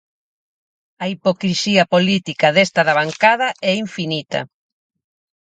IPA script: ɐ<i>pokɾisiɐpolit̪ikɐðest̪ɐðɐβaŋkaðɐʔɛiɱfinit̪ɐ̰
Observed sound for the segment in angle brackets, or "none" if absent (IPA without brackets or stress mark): i